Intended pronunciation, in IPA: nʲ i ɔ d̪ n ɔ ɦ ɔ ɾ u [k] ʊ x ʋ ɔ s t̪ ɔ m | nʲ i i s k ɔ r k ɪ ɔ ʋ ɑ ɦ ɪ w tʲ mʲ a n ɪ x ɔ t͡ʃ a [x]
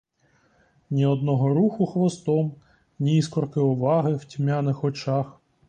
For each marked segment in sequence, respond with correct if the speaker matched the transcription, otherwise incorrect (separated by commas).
incorrect, correct